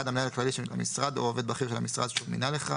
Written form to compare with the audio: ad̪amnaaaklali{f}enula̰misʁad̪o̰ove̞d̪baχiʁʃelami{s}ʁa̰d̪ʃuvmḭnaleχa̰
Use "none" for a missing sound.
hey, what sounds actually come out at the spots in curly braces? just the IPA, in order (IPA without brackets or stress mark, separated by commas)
ʃ, s